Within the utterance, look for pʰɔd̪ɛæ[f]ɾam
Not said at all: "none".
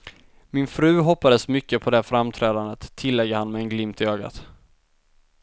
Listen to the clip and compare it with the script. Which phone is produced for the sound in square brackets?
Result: f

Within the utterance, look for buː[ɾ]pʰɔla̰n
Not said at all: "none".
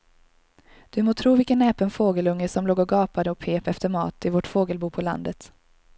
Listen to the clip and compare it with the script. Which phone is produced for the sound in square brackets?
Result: none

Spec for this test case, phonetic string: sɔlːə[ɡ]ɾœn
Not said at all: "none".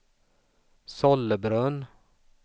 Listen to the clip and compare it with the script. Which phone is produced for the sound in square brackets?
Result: b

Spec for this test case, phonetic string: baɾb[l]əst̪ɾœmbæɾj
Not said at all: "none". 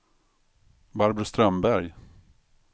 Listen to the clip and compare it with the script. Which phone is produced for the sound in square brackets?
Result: ɾ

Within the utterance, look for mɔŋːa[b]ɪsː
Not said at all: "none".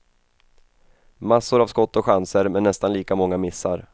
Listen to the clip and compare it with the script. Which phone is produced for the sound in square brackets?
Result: m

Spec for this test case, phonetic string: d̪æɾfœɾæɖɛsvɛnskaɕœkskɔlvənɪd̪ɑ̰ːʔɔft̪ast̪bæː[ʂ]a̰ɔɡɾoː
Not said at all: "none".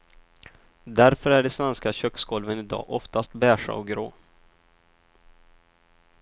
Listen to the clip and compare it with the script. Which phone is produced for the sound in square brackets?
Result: ʂ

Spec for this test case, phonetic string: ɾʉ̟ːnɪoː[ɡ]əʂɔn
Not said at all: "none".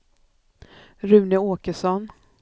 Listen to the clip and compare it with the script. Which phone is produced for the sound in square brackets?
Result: k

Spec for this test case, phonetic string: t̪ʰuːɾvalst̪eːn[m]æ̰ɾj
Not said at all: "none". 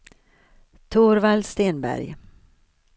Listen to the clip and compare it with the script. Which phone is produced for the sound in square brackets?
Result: b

